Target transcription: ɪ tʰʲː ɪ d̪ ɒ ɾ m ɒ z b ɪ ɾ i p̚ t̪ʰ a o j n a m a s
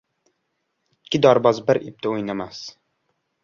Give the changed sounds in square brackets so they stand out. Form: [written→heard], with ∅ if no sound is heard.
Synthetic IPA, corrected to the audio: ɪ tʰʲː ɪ d̪ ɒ ɾ [m→b] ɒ z b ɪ ɾ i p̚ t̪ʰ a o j n a m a s